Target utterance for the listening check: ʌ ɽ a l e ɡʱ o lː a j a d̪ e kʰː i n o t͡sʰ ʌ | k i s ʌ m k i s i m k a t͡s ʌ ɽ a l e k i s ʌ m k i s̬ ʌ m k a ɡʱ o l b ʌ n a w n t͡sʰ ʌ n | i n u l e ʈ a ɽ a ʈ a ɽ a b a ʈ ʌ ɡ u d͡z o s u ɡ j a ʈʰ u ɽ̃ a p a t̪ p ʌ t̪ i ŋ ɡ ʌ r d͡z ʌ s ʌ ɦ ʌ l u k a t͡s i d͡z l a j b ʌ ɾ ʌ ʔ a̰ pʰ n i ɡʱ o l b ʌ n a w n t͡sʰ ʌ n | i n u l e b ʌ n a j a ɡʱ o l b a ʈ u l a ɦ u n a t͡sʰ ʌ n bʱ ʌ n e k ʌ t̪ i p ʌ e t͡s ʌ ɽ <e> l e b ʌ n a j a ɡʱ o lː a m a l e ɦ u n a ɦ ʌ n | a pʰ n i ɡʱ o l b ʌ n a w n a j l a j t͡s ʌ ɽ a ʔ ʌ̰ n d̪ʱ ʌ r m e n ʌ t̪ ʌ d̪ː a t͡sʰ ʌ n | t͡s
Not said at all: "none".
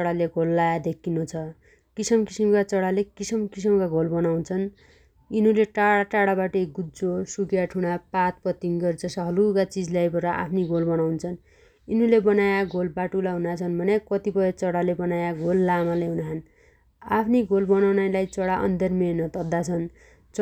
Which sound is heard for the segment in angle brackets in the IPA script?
a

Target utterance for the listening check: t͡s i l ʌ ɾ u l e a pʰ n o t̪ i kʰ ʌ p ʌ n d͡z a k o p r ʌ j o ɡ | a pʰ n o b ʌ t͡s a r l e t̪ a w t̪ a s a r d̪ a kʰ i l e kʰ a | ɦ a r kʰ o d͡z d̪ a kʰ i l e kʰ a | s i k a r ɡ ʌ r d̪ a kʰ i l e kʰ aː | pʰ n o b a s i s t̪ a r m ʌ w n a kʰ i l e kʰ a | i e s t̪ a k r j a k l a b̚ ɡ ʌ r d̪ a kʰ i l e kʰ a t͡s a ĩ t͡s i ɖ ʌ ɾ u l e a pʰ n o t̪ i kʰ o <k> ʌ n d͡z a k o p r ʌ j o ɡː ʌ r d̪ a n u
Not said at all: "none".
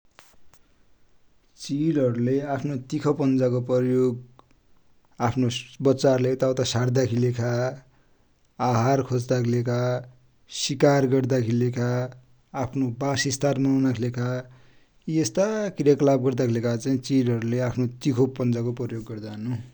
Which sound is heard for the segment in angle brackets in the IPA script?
p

